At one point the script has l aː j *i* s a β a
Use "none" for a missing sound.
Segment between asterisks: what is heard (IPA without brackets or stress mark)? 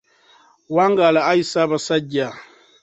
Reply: i